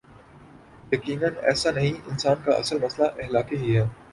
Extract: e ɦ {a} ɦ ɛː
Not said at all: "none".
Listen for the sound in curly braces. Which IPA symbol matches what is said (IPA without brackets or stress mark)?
i